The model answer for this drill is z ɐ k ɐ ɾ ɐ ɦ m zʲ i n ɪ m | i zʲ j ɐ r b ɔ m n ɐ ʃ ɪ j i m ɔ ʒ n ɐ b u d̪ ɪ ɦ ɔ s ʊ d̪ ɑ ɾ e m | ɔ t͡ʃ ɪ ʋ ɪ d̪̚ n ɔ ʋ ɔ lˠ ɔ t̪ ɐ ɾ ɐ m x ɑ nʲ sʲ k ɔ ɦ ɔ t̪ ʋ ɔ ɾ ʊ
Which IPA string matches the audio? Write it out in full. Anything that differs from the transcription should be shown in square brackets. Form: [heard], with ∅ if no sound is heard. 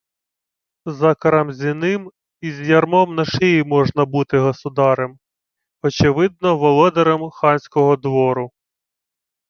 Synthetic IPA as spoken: z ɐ k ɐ ɾ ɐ [∅] m zʲ i n ɪ m | i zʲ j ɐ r [m] ɔ m n ɐ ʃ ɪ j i m ɔ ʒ n ɐ b u [t̪] ɪ ɦ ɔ s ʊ d̪ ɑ ɾ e m | ɔ t͡ʃ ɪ ʋ ɪ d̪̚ n ɔ ʋ ɔ lˠ ɔ [d̪] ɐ ɾ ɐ m x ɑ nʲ sʲ k ɔ ɦ ɔ [d̪] ʋ ɔ ɾ ʊ

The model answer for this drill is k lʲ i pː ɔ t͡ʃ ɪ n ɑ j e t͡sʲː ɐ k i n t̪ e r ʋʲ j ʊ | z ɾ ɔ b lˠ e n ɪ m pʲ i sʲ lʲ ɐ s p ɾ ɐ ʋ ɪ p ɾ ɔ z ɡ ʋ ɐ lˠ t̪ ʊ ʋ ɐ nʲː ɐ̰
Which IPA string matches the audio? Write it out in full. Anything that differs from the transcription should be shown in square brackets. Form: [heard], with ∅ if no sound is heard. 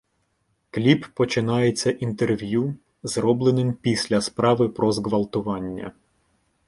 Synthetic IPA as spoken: k lʲ i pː ɔ t͡ʃ ɪ n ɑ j e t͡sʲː ɐ [ʔ] i n t̪ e r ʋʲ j [u] | z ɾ ɔ b lˠ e n ɪ m pʲ i sʲ lʲ ɐ s p ɾ [ɑ] ʋ ɪ p ɾ ɔ z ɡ ʋ ɐ lˠ t̪ ʊ ʋ [ɑ] nʲː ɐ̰

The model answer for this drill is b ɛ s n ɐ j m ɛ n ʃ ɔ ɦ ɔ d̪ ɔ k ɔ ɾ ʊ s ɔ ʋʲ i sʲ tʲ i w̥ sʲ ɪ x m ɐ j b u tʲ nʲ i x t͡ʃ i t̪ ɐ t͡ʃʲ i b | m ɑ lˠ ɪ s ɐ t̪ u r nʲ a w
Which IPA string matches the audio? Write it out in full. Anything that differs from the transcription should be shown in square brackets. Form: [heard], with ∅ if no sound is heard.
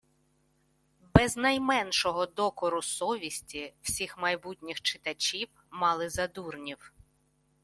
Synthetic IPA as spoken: b ɛ [z] n ɐ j m ɛ n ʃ ɔ ɦ ɔ d̪ ɔ k ɔ ɾ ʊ s ɔ ʋʲ i sʲ tʲ i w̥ sʲ [i] x m ɐ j b u tʲ nʲ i x t͡ʃ [ɪ] t̪ ɐ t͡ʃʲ i [w] | m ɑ lˠ ɪ [z] ɐ [d̪] u r nʲ [i] w

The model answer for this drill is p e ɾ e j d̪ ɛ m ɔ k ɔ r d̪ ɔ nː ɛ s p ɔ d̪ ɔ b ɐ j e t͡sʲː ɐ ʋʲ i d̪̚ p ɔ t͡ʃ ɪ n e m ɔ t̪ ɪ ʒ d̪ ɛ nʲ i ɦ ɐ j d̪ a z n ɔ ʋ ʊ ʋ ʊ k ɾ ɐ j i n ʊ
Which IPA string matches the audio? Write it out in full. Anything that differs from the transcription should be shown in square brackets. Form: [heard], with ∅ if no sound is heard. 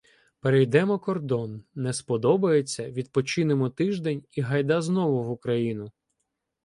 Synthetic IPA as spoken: p e ɾ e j d̪ ɛ m ɔ k ɔ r d̪ ɔ nː ɛ s p ɔ d̪ ɔ b ɐ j e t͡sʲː ɐ ʋʲ i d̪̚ p ɔ t͡ʃ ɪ n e m ɔ t̪ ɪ ʒ d̪ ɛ nʲ i ɦ ɐ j d̪ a z n ɔ ʋ ʊ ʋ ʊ k ɾ ɐ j i n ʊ

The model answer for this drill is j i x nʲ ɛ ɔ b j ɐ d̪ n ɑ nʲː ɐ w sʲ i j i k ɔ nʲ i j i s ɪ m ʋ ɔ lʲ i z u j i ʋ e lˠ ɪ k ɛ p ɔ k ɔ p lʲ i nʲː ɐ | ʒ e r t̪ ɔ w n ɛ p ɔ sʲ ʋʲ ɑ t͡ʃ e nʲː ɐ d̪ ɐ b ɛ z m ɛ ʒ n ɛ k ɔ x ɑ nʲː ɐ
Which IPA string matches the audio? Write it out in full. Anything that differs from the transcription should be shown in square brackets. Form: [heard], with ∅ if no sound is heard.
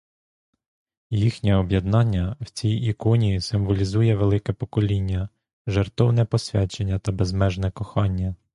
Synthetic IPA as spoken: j i x nʲ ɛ ɔ b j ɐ d̪ n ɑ nʲː ɐ w [t͡sʲ] i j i k ɔ nʲ i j i s ɪ m ʋ ɔ lʲ i z u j [ɛ] ʋ e lˠ ɪ k ɛ p ɔ k ɔ [∅] lʲ i nʲː ɐ | ʒ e r t̪ ɔ w n ɛ p ɔ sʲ ʋʲ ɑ t͡ʃ e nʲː ɐ [t̪] ɐ b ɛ z m ɛ ʒ n ɛ k ɔ x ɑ nʲː ɐ

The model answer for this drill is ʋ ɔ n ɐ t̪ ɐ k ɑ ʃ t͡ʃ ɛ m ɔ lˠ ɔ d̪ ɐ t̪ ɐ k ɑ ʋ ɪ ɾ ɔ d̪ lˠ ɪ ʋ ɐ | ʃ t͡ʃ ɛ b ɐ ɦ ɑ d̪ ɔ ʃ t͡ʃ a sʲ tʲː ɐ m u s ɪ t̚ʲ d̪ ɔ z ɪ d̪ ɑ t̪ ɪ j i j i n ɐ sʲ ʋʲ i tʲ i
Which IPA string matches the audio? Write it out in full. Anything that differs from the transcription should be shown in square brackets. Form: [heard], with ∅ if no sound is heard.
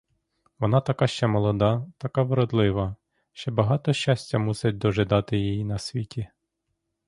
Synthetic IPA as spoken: ʋ ɔ n [ɑ] t̪ ɐ k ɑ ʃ t͡ʃ ɛ m ɔ lˠ ɔ d̪ [ɑ] t̪ ɐ k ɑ ʋ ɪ ɾ ɔ d̪ lˠ ɪ ʋ ɐ | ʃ t͡ʃ ɛ b ɐ ɦ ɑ [t̪] ɔ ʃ t͡ʃ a sʲ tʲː ɐ m u s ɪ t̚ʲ d̪ ɔ [ʒ] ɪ d̪ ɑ t̪ ɪ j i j i n ɐ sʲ ʋʲ i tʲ i

